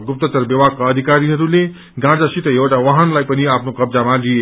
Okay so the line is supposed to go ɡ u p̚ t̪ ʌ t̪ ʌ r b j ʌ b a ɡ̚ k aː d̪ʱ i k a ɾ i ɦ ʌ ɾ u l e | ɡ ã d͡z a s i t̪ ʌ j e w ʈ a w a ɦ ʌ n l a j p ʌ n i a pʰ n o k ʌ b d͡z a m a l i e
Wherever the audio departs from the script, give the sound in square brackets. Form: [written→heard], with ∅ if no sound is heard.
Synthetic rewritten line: ɡ u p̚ t̪ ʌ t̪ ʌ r b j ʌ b a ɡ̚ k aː d̪ʱ i k a ɾ i ɦ ʌ ɾ u l e | ɡ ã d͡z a s i t̪ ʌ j e w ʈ a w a ɦ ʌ n l a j p ʌ n i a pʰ n o k ʌ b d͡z a m a l i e